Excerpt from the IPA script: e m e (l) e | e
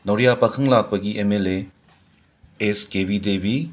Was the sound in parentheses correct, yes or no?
yes